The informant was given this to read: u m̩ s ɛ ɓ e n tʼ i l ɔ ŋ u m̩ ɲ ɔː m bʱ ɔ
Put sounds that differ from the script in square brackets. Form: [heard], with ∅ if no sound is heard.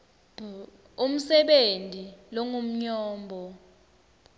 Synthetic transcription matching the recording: u m̩ s ɛ ɓ e n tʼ i l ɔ ŋ u m̩ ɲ ɔː m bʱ ɔ